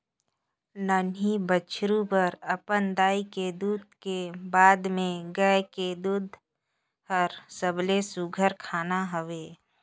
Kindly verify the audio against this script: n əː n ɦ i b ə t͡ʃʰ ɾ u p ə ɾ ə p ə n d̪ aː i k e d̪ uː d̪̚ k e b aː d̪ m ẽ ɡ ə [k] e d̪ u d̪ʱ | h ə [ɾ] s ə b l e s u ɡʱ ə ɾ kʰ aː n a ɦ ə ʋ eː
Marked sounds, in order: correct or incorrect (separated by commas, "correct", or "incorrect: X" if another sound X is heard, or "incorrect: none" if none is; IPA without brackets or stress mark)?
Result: correct, correct